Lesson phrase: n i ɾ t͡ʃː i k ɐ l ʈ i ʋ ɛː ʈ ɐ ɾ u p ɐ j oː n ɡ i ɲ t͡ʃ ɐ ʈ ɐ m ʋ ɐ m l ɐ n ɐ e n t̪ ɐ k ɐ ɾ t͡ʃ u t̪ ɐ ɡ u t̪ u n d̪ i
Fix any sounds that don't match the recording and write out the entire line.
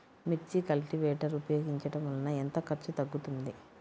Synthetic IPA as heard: m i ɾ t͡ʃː i k ɐ l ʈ i ʋ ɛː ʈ ɐ ɾ u p ɐ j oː ɡ i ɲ t͡ʃ ɐ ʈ ɐ m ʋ ɐ l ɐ n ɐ e n t̪ ɐ k ɐ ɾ t͡ʃ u t̪ ɐ ɡː u t̪ u n d̪ i